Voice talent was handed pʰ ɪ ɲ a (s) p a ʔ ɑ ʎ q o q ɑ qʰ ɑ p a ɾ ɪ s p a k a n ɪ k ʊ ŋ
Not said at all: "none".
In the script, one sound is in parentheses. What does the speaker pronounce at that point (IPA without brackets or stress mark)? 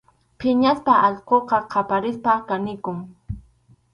s